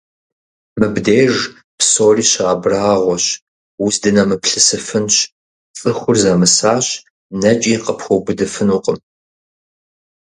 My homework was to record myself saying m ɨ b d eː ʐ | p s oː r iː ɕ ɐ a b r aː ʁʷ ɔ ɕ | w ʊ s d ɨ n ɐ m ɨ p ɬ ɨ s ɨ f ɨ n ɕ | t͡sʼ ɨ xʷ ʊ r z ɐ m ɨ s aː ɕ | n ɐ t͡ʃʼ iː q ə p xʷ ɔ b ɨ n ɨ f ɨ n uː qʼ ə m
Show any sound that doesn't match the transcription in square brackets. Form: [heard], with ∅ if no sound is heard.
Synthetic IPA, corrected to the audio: m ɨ b d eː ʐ | p s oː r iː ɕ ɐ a b r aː ʁʷ ɔ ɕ | w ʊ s d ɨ n ɐ m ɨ p ɬ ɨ s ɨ f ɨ n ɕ | t͡sʼ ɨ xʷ ʊ r z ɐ m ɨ s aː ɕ | n ɐ t͡ʃʼ iː q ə p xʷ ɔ b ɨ [d] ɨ f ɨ n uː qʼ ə m